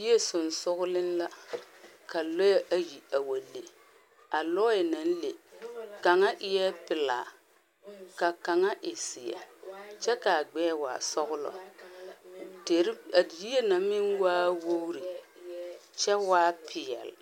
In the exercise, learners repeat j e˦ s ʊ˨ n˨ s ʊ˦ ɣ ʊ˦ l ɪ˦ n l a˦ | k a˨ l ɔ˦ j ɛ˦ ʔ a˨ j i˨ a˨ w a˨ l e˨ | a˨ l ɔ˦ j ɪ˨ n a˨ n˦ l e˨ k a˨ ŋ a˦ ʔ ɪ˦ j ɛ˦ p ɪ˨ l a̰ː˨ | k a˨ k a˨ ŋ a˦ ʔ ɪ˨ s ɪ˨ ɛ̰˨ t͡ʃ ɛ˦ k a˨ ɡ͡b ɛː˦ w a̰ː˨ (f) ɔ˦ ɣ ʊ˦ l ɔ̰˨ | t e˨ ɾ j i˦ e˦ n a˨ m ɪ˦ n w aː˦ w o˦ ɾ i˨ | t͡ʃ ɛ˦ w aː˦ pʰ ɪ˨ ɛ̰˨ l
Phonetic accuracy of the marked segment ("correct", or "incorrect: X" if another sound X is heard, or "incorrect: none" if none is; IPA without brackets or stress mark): incorrect: s